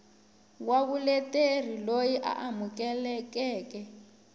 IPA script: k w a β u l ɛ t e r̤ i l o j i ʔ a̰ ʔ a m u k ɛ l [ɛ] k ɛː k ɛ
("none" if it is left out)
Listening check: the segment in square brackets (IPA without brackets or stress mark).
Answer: ɛ